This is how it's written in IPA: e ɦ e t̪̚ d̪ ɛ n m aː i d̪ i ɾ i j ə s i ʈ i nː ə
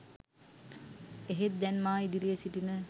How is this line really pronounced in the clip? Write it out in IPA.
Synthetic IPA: e ɦ e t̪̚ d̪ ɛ n m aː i d̪ i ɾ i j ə s i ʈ i n ə